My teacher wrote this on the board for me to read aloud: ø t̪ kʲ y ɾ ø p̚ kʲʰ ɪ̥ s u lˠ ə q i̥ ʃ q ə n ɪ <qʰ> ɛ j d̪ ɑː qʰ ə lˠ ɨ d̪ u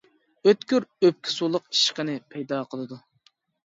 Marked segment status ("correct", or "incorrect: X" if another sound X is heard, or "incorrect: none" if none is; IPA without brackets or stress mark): incorrect: pʰ